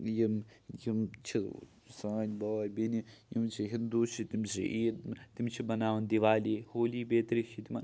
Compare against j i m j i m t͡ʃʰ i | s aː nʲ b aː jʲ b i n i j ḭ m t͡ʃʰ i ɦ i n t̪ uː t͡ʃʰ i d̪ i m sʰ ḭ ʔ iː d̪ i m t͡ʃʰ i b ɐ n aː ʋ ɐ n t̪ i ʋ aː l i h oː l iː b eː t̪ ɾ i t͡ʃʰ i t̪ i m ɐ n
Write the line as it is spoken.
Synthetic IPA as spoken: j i m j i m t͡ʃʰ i | s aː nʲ b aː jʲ b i n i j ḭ m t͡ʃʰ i ɦ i n d̪ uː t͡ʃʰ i t̪ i m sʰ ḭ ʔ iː t̪ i m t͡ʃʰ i b ɐ n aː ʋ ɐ n d̪ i ʋ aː l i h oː l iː b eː t̪ ɾ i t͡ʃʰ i t̪ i m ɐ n